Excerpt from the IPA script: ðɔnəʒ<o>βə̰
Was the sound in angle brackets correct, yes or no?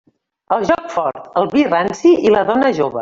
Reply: yes